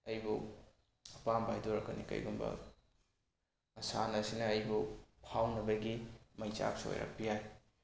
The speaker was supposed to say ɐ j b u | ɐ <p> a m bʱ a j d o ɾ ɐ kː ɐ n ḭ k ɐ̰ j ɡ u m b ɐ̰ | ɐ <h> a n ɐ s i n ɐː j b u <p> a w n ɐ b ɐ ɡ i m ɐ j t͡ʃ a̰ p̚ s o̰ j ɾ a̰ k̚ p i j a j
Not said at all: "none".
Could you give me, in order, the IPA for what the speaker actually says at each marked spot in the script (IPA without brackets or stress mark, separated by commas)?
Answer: p, s, pʰ